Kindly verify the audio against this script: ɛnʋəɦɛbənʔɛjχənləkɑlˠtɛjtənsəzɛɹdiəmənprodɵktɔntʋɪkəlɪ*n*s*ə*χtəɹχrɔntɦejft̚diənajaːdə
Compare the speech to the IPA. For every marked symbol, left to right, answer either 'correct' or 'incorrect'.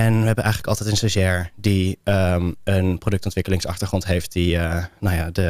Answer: incorrect: ŋ, incorrect: ɑ

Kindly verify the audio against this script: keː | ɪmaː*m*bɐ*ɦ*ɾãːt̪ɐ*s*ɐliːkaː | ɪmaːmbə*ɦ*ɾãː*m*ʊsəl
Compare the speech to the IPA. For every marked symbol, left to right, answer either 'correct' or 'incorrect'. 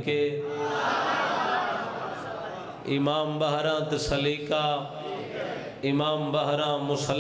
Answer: correct, correct, correct, correct, correct

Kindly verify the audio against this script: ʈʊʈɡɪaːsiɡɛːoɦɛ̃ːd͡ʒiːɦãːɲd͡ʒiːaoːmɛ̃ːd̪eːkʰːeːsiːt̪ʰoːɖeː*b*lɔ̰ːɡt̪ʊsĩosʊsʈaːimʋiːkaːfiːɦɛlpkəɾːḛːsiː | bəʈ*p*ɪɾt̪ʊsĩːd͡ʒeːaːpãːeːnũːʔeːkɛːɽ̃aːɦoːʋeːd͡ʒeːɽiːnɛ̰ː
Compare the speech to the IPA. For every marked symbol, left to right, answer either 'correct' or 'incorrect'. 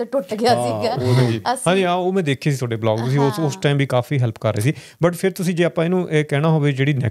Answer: correct, incorrect: pʰ

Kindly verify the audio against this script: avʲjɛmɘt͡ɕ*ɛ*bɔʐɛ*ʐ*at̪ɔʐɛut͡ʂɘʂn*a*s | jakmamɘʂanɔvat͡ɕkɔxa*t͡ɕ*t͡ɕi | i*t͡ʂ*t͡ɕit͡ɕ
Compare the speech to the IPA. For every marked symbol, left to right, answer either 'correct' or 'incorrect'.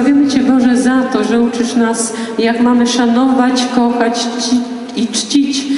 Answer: correct, incorrect: z, correct, correct, correct

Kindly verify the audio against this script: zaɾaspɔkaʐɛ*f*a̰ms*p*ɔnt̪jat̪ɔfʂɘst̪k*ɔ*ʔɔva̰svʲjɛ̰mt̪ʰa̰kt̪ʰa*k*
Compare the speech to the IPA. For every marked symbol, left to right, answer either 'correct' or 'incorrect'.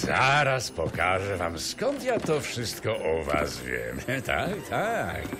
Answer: incorrect: v, incorrect: k, correct, correct

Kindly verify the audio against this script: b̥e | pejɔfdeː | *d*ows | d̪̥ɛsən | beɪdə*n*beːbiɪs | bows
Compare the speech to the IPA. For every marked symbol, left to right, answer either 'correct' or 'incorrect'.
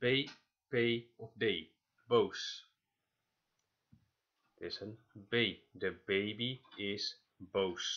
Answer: incorrect: b, incorrect: none

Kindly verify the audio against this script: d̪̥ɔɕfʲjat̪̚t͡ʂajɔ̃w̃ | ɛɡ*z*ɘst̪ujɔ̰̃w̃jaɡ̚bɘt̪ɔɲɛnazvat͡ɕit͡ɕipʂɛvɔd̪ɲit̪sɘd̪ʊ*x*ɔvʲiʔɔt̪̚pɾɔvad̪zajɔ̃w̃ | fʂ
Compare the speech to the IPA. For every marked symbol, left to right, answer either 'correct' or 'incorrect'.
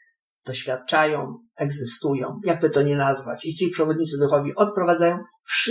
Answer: correct, correct

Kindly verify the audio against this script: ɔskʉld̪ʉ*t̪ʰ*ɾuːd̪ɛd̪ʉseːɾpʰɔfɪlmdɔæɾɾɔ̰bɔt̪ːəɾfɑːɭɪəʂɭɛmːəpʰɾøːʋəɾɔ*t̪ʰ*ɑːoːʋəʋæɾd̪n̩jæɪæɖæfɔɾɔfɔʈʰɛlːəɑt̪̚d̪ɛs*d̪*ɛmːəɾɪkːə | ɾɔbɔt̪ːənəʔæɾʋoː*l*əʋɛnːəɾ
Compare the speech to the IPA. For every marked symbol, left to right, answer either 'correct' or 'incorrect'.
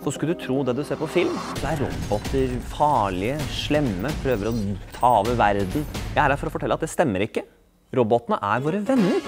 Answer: correct, correct, incorrect: t̪, incorrect: ɾ

